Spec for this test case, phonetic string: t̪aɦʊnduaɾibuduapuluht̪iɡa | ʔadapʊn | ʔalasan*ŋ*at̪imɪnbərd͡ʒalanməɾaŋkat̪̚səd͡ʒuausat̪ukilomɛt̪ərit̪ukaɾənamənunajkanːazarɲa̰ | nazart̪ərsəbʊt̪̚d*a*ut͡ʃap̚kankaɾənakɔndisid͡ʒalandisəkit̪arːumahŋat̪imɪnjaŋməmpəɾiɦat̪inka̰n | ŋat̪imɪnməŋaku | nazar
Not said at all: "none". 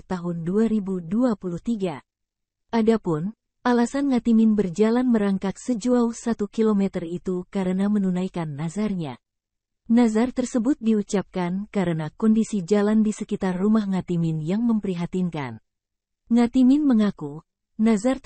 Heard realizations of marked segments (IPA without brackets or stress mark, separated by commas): ŋ, i